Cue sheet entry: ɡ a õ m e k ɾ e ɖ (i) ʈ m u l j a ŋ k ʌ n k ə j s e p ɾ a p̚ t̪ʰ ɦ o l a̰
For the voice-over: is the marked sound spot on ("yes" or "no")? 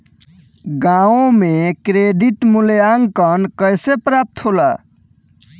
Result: yes